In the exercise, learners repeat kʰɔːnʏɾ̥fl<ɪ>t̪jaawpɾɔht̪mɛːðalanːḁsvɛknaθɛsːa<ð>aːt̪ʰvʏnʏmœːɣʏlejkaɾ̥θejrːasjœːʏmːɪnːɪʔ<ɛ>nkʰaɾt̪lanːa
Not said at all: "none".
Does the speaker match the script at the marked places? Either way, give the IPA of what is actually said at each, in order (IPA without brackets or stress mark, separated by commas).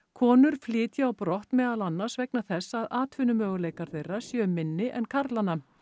ɪː, ð, ɛ